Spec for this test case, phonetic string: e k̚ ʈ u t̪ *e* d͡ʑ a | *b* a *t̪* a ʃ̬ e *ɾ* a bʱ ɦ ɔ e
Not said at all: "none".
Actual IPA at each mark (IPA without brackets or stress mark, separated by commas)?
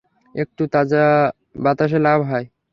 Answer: a, b, t̪, l